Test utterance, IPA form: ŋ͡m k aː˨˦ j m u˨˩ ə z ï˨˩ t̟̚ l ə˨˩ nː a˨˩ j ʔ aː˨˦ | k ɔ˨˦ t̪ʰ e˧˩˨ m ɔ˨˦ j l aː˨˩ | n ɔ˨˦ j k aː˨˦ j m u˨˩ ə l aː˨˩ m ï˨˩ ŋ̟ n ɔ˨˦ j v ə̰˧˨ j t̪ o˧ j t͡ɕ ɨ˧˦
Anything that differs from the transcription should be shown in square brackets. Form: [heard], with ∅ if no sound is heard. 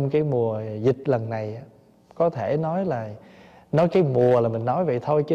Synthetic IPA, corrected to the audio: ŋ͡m k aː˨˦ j m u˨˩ ə z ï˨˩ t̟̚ l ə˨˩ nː a˨˩ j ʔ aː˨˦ | k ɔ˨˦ t̪ʰ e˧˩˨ [n] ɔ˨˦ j l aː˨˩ | n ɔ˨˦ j k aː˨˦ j m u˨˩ ə l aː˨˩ m ï˨˩ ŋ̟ n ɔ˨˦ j v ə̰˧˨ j [t̪ʰ] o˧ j t͡ɕ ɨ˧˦